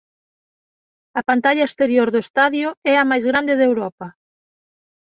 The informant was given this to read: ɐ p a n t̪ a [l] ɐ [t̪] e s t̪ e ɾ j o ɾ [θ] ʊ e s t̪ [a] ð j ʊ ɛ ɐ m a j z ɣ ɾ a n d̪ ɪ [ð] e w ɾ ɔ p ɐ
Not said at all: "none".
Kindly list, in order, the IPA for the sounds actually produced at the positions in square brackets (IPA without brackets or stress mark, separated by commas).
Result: ʎ, none, ð, a, ð